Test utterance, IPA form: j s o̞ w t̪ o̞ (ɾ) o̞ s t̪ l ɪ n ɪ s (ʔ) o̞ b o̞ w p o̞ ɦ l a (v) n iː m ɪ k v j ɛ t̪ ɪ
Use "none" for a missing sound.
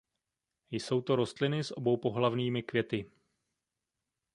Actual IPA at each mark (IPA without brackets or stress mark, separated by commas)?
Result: ɾ, ʔ, v